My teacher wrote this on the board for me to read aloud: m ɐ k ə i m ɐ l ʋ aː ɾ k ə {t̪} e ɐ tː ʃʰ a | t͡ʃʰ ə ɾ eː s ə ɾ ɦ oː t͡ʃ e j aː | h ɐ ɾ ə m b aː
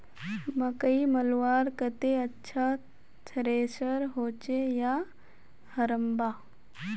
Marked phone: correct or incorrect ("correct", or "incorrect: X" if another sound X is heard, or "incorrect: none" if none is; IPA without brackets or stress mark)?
correct